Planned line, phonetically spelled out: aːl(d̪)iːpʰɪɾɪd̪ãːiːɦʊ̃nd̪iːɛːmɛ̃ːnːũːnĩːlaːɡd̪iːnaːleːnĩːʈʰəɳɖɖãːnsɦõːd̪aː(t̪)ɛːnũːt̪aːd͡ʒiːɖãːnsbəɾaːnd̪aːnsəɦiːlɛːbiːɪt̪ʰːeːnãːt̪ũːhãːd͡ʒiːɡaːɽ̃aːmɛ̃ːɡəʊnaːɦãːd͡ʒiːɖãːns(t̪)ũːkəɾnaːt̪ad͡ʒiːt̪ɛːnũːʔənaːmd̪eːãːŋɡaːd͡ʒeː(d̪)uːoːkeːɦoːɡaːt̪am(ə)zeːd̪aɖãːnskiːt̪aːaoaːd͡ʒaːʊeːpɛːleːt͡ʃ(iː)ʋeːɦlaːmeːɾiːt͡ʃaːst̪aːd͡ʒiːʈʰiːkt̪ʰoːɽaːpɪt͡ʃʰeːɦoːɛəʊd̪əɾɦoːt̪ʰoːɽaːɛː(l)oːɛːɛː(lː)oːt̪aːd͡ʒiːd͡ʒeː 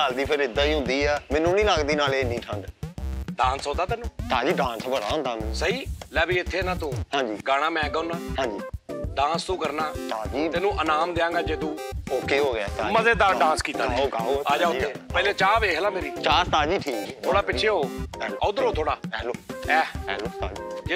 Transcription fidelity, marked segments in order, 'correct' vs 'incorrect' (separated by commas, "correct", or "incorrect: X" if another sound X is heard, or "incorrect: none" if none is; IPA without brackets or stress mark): correct, correct, correct, incorrect: t̪, correct, incorrect: aː, correct, incorrect: l